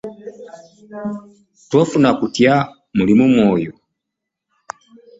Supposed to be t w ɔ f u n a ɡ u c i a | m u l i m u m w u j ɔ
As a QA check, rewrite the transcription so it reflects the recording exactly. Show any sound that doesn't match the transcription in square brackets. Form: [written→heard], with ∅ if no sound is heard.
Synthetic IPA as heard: t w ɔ f u n a [ɡ→k] u [c→t] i a | m u l i m u m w [u→ɔ] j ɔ